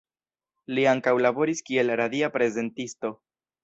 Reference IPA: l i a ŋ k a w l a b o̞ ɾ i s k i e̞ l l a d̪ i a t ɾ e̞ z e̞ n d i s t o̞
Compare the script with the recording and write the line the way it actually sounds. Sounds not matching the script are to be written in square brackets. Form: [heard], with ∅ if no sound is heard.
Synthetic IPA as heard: l i a ŋ k a w l a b o̞ ɾ i s k i e̞ l [ɾ] a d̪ i a [p] ɾ e̞ z e̞ n [t] i s t o̞